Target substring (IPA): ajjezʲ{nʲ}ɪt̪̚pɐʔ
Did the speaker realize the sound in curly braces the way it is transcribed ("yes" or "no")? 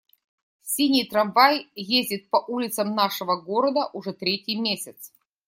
no